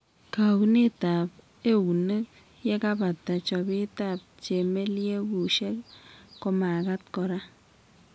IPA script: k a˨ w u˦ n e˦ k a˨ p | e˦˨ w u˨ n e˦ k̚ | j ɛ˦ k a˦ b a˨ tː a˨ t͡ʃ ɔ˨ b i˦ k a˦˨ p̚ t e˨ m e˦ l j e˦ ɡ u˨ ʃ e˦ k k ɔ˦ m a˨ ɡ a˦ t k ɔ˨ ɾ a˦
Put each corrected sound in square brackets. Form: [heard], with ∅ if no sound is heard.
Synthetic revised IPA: k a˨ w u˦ n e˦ [t] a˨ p | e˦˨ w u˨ n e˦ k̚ | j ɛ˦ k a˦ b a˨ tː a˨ t͡ʃ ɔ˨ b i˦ [t] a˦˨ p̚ [t͡ʃ] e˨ m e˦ l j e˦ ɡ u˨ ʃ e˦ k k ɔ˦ m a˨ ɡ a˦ t k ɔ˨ ɾ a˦